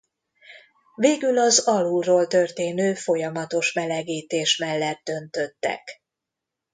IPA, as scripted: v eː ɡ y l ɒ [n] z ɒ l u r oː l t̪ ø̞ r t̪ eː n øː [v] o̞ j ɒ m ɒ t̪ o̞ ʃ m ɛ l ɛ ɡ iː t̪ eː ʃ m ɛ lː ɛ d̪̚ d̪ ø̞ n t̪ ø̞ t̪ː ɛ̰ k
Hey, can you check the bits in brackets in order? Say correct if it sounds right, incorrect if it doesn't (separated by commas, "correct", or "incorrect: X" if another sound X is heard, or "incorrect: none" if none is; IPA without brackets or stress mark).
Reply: incorrect: none, incorrect: f